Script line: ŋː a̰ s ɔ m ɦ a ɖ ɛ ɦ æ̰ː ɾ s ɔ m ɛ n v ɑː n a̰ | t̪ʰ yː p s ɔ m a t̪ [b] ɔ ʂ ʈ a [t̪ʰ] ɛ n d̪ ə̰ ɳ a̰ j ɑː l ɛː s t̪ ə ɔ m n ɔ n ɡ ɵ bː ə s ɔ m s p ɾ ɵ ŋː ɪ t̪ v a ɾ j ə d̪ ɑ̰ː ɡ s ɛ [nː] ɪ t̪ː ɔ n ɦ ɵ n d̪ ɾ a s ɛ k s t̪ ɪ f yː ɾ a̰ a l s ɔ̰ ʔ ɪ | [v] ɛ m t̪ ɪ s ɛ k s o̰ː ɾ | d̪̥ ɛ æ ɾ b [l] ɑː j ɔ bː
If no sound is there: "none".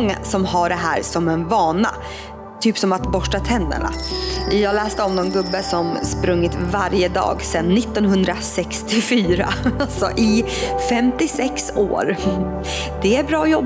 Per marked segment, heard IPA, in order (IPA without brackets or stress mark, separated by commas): b, t̪ʰ, nː, f, ɾ